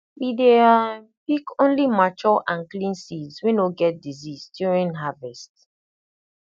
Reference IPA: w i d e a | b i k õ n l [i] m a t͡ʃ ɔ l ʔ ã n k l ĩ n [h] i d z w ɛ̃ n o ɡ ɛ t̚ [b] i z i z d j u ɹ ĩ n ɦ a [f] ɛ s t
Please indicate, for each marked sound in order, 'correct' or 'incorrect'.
correct, incorrect, incorrect, incorrect

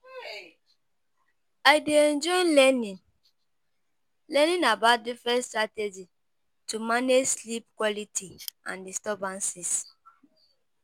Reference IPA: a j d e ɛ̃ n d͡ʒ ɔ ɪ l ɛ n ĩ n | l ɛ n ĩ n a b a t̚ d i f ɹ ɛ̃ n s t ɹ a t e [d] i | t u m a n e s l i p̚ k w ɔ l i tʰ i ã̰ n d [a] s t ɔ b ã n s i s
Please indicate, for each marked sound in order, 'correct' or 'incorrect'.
incorrect, incorrect

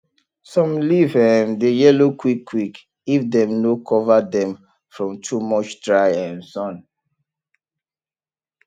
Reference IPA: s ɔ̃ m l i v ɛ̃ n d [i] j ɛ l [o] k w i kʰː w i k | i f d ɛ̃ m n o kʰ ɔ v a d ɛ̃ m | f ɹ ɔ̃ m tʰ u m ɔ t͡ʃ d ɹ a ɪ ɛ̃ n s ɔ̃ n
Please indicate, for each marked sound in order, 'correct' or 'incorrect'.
incorrect, correct

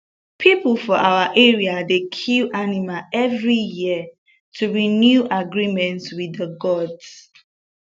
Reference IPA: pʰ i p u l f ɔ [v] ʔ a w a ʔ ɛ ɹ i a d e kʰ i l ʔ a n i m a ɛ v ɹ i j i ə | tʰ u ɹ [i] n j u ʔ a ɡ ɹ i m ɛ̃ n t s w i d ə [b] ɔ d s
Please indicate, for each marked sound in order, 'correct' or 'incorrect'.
incorrect, correct, incorrect

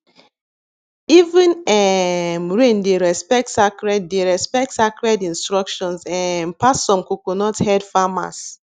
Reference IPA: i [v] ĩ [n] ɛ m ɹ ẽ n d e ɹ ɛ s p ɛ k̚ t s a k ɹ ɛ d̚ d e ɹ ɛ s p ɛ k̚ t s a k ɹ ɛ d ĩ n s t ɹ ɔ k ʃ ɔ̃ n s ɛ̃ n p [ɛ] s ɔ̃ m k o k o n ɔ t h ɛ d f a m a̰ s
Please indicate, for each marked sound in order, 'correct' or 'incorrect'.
correct, correct, incorrect

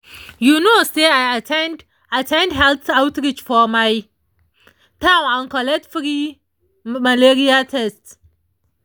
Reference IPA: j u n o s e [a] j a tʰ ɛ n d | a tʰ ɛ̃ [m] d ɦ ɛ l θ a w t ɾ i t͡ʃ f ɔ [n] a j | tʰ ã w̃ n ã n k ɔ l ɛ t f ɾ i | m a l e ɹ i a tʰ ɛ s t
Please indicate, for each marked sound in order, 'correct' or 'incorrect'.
correct, incorrect, incorrect

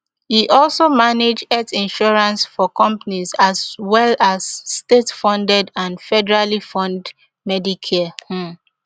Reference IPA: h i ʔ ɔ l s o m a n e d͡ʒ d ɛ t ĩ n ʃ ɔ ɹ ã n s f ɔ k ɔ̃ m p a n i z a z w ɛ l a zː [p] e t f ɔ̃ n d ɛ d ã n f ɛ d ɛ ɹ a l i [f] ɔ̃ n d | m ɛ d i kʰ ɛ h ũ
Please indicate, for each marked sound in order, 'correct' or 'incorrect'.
incorrect, correct

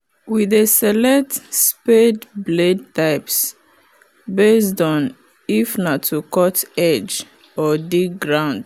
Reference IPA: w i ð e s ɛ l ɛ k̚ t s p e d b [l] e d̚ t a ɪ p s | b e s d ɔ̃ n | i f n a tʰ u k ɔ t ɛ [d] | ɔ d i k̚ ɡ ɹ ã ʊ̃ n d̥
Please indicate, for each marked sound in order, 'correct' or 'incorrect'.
correct, incorrect

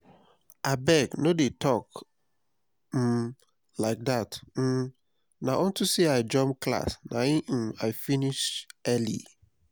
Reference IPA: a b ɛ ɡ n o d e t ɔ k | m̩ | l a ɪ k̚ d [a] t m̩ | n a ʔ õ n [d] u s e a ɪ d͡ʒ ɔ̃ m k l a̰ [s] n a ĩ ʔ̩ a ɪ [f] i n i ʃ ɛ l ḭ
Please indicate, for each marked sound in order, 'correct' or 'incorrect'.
correct, incorrect, correct, correct

